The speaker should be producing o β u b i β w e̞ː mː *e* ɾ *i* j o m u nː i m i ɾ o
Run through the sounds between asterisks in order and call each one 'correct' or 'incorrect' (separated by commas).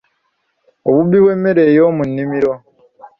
correct, incorrect